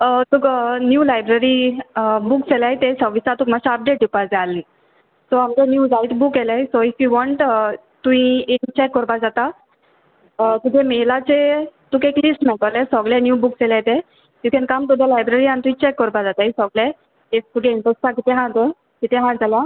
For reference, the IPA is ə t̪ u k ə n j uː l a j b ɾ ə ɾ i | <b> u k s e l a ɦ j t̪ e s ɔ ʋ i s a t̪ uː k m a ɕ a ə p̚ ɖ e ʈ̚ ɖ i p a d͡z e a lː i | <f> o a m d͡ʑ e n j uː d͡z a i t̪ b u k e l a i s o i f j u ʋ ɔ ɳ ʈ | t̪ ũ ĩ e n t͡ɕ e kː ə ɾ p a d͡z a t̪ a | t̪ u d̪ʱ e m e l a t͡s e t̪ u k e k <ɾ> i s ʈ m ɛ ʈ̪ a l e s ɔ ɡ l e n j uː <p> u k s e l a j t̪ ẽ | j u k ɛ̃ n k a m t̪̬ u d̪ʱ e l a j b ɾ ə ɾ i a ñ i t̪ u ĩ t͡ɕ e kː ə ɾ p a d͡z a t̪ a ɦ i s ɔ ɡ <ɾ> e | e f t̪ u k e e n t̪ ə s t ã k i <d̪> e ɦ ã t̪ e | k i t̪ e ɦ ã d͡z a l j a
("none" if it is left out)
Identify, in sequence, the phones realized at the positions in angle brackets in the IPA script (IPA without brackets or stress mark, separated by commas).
b, s, l, b, l, t̪